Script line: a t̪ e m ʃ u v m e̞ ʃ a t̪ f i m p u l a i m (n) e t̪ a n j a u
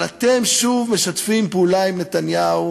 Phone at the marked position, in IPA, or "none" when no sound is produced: n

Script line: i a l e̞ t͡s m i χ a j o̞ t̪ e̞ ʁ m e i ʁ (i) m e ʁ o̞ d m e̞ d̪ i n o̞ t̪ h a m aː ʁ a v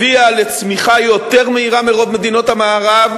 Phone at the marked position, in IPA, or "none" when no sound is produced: a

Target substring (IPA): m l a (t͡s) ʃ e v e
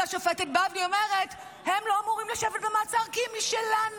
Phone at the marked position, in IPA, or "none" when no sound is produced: none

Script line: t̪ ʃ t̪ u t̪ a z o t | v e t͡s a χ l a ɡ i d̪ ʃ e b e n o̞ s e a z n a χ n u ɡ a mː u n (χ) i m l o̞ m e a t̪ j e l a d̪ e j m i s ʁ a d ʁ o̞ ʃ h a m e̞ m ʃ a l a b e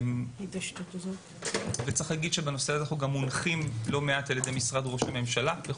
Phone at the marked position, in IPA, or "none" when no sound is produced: χ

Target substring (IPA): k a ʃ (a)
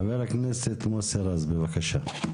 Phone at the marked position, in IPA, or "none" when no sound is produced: a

